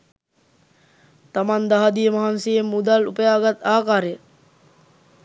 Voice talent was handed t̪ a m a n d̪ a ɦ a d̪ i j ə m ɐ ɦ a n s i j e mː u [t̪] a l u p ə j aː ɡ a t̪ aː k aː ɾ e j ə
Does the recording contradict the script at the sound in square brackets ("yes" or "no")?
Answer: yes